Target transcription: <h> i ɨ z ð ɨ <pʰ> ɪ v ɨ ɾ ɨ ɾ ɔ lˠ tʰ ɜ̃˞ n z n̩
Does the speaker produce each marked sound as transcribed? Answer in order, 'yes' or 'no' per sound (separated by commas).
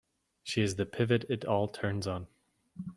no, yes